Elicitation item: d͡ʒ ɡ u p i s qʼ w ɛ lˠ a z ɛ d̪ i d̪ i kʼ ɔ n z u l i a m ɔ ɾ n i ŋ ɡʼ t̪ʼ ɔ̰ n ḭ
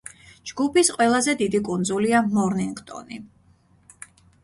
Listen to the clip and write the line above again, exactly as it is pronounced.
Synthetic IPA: d͡ʒ ɡ u p i s qʼ w ɛ lˠ a z ɛ d̪ i d̪ i kʼ u n z u l i a m ɔ ɾ n i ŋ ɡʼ t̪ʼ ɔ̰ n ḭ